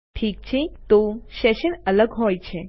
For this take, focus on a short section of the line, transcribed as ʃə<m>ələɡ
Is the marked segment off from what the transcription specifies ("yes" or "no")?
yes